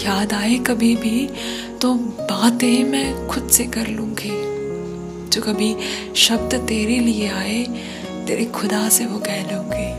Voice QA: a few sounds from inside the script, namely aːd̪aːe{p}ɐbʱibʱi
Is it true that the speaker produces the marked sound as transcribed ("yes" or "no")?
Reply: no